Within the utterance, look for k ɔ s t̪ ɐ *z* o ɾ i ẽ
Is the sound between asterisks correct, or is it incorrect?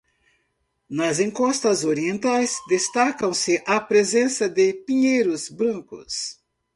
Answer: correct